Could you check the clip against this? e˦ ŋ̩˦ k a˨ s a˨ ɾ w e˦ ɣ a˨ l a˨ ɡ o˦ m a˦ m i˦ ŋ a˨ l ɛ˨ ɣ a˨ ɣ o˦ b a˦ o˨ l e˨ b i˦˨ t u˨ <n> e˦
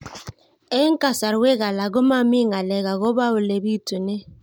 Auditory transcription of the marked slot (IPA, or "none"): n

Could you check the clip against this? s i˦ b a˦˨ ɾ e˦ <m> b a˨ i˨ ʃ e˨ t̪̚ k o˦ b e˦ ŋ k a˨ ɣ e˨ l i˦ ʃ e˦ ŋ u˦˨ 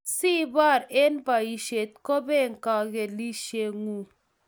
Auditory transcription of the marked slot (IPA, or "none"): n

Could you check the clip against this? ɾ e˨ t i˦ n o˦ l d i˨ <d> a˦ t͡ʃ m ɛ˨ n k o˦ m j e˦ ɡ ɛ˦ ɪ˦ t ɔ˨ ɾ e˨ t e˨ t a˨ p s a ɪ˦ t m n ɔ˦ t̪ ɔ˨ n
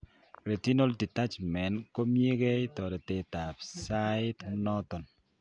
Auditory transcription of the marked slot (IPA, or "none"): t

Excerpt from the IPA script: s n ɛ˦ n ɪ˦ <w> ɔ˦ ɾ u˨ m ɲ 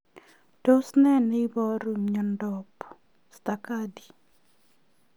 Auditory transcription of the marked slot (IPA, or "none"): b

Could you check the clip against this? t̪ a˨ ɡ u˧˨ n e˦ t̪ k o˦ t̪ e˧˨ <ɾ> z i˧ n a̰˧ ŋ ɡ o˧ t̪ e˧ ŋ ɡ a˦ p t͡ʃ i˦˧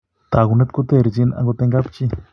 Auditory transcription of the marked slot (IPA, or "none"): ɾ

